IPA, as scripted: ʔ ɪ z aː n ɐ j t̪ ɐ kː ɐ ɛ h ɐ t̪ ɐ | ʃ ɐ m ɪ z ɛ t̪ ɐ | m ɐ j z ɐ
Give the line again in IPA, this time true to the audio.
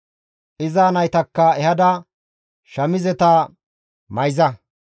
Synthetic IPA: ʔ ɪ z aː n ɐ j t̪ ɐ kː ɐ ɛ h ɐ d̪ ɐ | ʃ ɐ m ɪ z ɛ t̪ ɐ | m ɐ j z ɐ